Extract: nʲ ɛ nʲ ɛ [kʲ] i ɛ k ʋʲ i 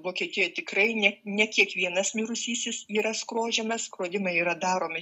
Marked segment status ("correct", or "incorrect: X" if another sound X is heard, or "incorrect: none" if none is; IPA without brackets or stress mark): correct